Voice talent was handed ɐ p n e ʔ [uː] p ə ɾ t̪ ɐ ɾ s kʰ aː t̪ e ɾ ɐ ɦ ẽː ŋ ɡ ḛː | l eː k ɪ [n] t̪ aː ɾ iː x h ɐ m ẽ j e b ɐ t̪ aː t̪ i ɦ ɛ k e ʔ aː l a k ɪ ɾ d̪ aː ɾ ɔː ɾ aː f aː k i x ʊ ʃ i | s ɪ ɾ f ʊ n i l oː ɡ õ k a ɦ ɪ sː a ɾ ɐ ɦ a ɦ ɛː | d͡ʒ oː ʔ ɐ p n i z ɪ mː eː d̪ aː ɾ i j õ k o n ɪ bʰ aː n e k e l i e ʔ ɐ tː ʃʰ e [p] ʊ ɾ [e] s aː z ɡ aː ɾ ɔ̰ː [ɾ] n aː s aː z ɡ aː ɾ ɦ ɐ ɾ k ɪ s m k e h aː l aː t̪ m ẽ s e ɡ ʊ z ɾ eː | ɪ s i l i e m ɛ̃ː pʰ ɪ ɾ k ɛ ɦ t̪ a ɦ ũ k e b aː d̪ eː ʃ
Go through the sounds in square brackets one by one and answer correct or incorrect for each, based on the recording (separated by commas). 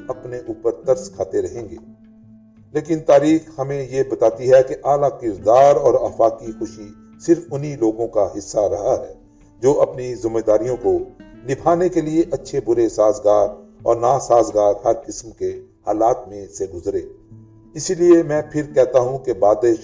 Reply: correct, correct, incorrect, correct, correct